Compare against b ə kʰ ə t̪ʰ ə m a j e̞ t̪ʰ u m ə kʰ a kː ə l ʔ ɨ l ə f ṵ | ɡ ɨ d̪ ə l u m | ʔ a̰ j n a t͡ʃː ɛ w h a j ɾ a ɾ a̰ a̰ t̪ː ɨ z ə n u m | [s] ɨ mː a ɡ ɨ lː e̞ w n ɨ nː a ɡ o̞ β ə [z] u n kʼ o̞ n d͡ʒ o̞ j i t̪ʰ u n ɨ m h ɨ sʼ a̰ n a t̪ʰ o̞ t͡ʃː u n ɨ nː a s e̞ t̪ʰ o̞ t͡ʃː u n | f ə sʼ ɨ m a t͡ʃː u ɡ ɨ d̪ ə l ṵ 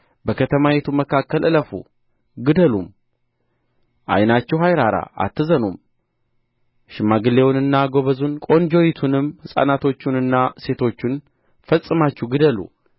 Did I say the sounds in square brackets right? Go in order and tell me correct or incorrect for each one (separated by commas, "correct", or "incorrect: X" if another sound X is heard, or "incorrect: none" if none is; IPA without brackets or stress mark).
incorrect: ʃ, correct